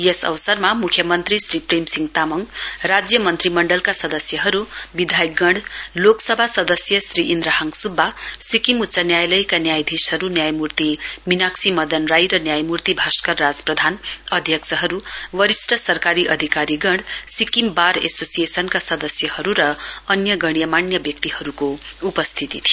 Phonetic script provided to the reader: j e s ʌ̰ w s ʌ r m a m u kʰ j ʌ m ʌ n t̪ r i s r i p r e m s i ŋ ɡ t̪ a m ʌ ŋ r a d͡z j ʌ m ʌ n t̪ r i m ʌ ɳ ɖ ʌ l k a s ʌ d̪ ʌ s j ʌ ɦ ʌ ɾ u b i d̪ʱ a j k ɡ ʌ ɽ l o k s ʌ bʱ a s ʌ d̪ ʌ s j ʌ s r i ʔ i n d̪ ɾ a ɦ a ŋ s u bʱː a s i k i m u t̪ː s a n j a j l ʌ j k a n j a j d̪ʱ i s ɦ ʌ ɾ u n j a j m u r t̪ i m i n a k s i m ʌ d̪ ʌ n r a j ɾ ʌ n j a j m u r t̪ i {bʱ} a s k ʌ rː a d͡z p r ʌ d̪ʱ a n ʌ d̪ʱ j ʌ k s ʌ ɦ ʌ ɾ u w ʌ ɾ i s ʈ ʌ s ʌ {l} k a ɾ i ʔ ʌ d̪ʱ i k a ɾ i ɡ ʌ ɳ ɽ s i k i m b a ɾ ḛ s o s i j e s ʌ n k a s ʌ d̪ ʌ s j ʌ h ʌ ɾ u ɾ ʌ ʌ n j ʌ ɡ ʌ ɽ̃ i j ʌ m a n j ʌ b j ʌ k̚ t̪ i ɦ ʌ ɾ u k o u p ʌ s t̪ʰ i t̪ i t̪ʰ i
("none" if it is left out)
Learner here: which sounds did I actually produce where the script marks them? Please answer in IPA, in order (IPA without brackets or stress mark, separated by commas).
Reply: bʱ, r